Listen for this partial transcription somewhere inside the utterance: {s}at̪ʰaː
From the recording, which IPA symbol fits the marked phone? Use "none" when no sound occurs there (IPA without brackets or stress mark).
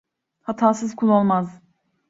h